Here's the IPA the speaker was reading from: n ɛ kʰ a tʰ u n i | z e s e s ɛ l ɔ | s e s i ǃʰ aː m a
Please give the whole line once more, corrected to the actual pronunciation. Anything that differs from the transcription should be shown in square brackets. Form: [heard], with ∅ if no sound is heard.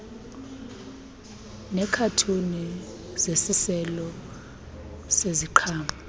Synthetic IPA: n ɛ kʰ a tʰ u n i | z e s [i] s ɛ l ɔ | s e [z] i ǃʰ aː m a